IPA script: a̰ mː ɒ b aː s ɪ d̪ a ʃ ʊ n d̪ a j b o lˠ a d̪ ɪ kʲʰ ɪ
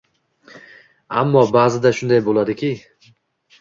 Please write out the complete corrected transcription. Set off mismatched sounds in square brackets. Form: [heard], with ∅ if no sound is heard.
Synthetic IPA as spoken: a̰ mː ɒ b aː [z] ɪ d̪ a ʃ ʊ n d̪ a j b o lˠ a d̪ ɪ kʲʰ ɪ